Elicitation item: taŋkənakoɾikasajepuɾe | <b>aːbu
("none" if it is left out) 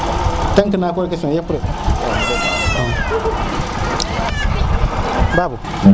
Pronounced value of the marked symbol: b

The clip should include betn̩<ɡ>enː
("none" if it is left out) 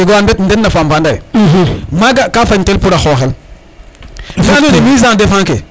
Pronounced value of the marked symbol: d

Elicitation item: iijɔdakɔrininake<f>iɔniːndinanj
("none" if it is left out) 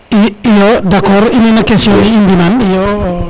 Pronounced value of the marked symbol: s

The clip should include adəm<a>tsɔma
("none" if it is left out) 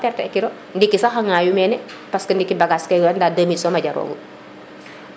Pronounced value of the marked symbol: i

